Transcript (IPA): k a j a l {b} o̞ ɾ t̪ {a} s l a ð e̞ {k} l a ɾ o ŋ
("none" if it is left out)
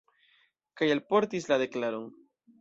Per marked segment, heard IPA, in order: p, i, k

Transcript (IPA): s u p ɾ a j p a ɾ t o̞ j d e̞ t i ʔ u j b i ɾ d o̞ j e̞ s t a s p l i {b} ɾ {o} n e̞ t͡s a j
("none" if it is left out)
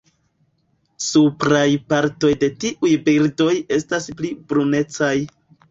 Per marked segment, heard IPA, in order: b, u

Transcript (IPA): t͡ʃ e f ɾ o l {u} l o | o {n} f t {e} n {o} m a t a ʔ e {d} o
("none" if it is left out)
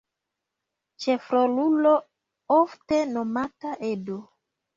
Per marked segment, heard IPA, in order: u, none, e, o, d

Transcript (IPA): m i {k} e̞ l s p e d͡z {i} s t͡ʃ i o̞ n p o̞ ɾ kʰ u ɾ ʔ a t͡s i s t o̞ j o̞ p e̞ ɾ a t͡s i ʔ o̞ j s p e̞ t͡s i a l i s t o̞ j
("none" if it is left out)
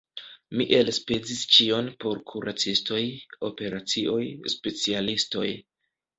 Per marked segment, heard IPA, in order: ʔ, i

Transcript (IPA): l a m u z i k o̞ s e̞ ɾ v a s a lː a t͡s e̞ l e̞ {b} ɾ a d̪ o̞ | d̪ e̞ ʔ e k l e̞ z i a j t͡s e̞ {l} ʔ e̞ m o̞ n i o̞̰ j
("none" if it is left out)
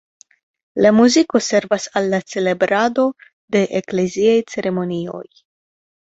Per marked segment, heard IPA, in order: b, ɾ

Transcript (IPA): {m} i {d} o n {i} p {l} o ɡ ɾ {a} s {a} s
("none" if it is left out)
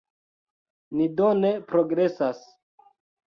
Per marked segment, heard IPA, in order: n, d, e, ɾ, e, a

